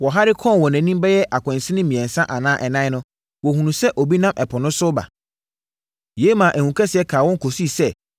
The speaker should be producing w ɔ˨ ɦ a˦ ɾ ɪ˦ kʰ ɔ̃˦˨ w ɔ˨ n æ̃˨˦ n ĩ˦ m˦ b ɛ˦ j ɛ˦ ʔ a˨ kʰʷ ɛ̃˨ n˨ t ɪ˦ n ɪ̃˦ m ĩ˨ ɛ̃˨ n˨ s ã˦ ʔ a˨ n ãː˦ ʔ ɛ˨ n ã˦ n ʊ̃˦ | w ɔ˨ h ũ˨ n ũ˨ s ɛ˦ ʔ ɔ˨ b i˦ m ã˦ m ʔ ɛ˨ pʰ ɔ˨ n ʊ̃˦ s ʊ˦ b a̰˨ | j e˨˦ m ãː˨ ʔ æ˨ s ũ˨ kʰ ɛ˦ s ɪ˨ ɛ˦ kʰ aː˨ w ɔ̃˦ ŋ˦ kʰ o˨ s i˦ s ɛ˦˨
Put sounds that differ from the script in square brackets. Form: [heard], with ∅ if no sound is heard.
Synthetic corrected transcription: w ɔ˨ ɦ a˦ ɾ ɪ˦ kʰ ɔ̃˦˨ w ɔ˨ n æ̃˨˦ n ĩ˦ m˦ b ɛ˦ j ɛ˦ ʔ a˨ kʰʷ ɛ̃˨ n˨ [s] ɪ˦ n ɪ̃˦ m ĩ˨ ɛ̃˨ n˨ s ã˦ ʔ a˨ n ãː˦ ʔ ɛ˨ n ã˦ n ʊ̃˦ | w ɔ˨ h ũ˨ n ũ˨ s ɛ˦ ʔ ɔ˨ b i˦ [n] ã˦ m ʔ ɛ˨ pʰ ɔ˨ n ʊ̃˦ s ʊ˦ b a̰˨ | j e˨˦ m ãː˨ ʔ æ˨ [h] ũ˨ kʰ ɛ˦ s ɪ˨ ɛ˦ kʰ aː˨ w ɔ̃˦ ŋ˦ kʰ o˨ s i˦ s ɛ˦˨

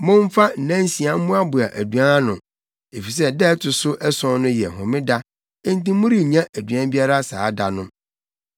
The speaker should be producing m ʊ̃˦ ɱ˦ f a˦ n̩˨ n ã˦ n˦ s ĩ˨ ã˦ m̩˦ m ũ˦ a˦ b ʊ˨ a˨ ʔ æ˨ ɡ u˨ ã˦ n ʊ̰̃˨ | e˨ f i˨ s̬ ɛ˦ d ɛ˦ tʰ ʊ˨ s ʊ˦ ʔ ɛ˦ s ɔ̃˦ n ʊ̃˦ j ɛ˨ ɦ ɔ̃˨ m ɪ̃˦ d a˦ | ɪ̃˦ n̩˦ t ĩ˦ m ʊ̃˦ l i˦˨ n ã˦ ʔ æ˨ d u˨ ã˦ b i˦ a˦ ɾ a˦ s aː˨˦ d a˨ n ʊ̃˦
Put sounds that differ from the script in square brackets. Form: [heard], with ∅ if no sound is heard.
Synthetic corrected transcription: m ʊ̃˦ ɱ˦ f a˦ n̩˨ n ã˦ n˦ s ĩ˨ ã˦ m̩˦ m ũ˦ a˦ b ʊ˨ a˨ ʔ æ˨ [d] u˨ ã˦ n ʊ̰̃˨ | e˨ f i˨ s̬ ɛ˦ d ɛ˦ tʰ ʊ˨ s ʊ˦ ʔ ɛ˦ s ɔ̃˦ n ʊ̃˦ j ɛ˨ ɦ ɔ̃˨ m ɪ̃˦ d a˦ | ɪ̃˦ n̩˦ t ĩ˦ m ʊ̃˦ [ɾ] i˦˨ [ɲ] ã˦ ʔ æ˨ d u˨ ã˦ b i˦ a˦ ɾ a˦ s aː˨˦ d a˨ n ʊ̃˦

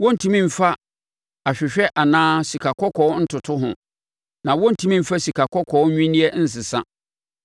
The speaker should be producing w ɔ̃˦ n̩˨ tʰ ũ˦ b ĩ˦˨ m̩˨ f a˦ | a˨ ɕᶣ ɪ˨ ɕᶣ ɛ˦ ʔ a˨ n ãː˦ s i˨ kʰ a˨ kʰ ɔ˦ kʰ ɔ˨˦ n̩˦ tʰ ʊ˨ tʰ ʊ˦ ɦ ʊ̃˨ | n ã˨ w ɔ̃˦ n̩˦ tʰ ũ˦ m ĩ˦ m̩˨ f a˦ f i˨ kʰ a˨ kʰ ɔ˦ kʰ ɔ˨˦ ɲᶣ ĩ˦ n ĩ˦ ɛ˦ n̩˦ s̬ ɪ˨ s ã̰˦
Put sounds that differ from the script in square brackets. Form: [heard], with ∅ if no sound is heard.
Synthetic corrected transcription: w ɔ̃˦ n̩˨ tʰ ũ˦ [m] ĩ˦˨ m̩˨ f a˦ | a˨ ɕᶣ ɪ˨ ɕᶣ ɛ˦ ʔ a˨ n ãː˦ s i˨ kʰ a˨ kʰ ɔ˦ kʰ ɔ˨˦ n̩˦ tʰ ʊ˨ tʰ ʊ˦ ɦ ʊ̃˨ | n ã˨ w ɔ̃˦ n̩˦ tʰ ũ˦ m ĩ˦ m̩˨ f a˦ [s] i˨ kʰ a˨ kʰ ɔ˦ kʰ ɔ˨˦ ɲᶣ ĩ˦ n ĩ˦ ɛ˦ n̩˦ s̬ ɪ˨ s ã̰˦

